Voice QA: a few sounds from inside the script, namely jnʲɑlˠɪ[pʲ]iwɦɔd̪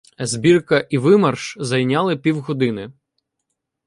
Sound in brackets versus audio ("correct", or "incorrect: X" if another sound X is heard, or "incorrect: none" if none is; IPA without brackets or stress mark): correct